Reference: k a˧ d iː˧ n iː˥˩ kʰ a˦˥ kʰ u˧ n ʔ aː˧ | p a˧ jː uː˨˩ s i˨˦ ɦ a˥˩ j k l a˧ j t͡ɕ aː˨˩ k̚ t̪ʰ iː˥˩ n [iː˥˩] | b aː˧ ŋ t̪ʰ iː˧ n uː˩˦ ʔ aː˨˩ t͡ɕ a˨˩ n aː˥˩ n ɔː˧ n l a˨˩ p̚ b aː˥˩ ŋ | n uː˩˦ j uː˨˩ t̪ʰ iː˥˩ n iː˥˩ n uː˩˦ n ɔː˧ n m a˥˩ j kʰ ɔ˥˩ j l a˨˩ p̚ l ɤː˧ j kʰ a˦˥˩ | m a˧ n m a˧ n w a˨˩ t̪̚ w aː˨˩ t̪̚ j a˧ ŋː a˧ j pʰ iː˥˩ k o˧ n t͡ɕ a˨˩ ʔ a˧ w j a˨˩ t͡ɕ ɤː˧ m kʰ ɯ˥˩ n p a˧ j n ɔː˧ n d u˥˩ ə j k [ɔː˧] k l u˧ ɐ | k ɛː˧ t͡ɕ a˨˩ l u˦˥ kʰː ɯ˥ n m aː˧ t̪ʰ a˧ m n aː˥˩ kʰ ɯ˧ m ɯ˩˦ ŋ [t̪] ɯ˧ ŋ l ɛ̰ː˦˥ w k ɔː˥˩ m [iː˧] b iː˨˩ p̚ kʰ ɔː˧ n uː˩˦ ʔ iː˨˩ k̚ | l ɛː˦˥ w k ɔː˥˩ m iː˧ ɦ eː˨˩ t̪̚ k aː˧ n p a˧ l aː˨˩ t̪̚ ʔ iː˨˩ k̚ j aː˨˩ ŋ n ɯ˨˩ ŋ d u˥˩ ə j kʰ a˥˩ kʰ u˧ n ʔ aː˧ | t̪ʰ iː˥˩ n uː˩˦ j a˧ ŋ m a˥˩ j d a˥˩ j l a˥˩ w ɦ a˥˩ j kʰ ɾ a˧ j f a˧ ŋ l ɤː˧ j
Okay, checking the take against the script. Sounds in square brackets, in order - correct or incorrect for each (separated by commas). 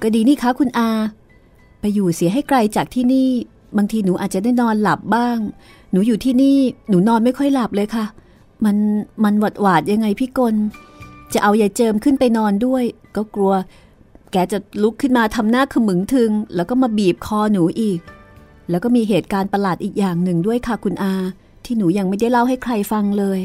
correct, incorrect, incorrect, incorrect